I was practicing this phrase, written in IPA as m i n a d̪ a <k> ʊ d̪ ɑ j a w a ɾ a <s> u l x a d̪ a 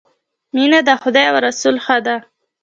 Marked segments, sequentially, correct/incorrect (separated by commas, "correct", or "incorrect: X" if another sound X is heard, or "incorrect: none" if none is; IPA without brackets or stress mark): incorrect: x, correct